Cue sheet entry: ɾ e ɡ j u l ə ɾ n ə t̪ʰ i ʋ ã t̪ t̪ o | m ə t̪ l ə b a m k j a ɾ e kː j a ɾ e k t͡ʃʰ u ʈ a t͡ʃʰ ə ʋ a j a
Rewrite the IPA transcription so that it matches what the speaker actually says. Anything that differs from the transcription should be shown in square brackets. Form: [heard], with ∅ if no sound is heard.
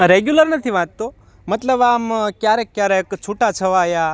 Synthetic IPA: ɾ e ɡ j u l ə ɾ n ə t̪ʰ i ʋ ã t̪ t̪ o | m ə t̪ l ə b a m k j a ɾ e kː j a ɾ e k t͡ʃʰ u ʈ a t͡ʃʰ ə ʋ a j a